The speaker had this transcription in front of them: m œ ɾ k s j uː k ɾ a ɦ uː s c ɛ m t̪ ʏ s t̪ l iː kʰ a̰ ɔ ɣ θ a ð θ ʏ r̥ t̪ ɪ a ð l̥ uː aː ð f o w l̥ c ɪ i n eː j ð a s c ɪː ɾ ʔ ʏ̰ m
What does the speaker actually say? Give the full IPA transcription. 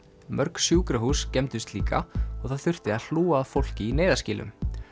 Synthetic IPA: m œ ɾ k s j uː k ɾ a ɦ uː s c ɛ m t̪ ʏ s t̪ l iː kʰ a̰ ɔ ɣ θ a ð θ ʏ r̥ t̪ ɪ a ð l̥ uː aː ð f o w l̥ c ɪ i n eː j ð a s c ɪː l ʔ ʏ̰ m